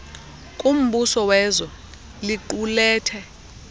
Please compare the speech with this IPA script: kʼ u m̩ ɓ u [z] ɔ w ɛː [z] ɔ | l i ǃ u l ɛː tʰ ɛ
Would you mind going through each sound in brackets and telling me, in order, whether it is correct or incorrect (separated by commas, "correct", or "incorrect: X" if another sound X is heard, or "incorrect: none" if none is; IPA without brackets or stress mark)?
incorrect: s, correct